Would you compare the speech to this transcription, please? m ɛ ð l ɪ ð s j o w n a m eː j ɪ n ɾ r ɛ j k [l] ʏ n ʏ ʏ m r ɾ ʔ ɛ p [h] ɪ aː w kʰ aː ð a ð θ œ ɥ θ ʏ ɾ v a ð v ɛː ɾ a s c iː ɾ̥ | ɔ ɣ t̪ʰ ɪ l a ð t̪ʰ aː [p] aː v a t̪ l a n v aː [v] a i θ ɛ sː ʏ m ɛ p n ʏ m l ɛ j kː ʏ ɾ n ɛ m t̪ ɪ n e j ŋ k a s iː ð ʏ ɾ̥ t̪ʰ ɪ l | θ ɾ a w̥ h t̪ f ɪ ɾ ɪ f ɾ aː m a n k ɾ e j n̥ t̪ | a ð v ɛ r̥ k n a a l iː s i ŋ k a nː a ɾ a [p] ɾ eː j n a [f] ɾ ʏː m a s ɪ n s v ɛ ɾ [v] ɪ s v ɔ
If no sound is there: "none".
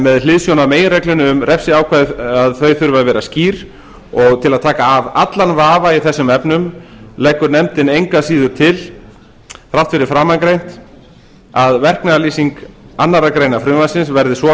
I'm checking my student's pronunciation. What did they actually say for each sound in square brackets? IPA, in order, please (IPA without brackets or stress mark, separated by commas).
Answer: l, s, k, v, k, f, ð